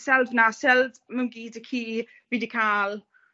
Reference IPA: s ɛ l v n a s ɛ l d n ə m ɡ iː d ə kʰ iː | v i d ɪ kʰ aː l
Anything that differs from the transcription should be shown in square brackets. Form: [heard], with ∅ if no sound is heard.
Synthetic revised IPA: s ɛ l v n a s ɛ l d [m] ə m ɡ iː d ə kʰ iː | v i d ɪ kʰ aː l